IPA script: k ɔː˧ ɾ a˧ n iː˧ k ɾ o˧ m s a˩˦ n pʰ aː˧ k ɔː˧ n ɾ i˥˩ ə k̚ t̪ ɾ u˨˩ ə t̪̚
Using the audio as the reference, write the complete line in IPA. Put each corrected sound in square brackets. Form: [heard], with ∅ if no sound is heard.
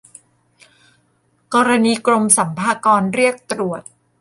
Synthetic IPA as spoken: k ɔː˧ ɾ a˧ n iː˧ k ɾ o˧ m s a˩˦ [m] pʰ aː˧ k ɔː˧ n ɾ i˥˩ ə k̚ t̪ ɾ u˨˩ ə t̪̚